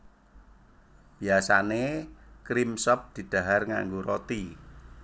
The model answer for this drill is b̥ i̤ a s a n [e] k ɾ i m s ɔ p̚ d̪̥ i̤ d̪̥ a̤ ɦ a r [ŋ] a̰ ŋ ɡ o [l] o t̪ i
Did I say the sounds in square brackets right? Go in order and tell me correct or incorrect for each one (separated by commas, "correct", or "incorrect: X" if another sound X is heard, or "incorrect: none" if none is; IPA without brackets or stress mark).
correct, correct, incorrect: ɾ